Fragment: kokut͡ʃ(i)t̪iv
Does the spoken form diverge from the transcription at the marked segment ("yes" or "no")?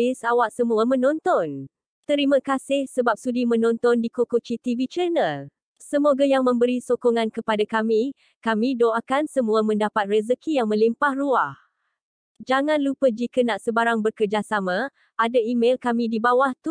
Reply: no